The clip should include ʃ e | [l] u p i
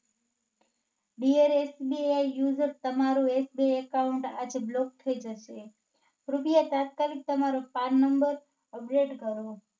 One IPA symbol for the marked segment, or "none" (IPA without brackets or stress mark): ɾ